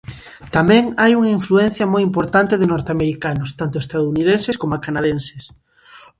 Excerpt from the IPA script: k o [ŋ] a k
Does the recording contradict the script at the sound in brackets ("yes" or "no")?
yes